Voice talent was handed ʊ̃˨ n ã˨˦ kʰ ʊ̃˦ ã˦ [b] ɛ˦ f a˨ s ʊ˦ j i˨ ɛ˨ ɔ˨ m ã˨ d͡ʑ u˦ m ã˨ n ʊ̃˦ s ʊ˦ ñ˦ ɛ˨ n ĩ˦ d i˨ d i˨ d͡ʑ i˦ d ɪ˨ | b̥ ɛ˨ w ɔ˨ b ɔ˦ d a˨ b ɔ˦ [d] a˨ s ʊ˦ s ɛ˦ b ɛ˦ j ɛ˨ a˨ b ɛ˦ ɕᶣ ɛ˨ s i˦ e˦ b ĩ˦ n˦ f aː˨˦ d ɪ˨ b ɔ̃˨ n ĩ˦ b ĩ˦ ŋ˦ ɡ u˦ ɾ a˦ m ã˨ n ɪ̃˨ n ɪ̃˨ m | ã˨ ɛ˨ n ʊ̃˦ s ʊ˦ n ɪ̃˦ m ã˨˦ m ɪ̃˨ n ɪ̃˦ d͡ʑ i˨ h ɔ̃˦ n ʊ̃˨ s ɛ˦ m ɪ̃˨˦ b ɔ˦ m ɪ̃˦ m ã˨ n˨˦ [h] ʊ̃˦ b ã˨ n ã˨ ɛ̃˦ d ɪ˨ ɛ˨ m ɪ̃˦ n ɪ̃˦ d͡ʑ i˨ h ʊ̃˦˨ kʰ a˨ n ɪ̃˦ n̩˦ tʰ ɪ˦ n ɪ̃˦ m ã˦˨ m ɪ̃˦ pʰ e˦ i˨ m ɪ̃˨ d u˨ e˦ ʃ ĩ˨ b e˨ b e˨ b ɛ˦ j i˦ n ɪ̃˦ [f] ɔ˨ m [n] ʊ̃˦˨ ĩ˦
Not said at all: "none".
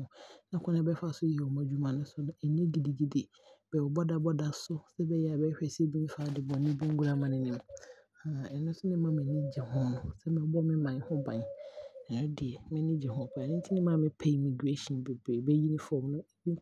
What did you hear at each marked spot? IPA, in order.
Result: b, d, h, f, n

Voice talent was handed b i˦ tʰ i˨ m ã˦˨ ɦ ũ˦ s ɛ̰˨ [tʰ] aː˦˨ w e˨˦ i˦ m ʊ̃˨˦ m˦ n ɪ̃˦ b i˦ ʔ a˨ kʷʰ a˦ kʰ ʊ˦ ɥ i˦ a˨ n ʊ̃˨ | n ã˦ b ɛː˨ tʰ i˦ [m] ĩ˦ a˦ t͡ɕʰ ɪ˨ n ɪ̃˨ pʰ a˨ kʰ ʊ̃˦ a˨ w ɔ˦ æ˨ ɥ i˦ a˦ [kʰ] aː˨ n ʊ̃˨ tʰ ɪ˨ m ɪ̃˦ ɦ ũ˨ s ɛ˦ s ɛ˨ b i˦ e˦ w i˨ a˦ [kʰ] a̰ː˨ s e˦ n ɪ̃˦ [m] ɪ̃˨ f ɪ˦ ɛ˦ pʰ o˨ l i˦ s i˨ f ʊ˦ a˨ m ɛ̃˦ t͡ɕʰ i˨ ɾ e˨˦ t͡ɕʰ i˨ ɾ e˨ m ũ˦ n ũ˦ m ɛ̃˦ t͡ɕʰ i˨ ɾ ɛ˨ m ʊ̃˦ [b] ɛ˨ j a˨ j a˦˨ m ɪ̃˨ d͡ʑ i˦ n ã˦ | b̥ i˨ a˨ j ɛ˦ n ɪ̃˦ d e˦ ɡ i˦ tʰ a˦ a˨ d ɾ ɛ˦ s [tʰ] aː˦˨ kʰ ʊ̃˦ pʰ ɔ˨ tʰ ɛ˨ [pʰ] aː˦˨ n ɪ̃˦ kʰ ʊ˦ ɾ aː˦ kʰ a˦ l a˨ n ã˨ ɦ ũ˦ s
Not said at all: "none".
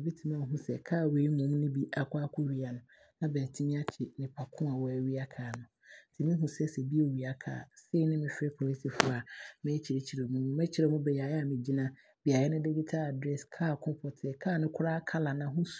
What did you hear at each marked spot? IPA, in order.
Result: kʰ, m, kʰ, kʰ, m, b, kʰ, kʰ

